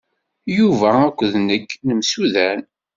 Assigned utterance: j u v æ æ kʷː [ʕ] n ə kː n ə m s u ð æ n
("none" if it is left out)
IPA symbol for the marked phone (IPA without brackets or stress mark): ð